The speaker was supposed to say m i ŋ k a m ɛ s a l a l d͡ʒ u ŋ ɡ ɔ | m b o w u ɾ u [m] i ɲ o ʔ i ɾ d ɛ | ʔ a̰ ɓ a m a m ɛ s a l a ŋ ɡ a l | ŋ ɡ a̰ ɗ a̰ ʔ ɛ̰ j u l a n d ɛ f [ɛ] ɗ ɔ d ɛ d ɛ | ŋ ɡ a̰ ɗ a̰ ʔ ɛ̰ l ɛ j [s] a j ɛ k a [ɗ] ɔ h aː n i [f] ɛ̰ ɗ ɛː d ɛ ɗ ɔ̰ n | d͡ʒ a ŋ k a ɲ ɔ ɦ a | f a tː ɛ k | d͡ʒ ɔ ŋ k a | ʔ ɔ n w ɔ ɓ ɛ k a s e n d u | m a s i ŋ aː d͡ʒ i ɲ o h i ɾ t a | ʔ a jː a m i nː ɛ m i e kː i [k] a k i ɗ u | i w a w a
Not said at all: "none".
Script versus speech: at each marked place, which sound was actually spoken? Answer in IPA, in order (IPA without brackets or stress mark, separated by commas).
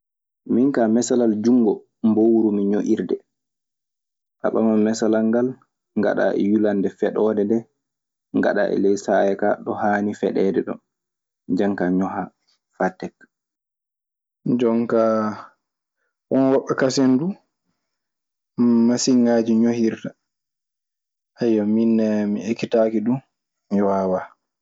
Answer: m, ɛ, s, ɗ, f, t